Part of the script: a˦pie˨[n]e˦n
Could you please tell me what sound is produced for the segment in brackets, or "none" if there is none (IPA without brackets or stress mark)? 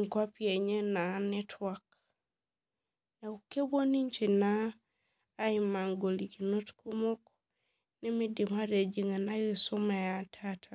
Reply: ɲ